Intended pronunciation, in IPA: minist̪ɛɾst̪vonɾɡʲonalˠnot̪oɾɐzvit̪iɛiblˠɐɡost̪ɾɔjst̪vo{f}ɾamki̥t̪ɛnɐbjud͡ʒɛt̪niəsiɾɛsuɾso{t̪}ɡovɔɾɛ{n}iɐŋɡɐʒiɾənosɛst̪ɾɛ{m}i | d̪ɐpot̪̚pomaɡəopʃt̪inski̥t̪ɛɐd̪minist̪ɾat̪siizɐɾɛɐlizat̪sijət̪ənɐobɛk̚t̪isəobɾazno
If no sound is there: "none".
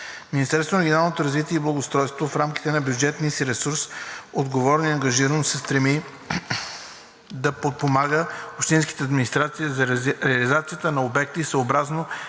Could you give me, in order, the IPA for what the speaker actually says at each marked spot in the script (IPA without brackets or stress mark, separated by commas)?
f, d̪, n, m